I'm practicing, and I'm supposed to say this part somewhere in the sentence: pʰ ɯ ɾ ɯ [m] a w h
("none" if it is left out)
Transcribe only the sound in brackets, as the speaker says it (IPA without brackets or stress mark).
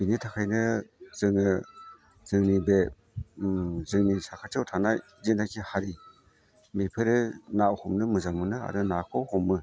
n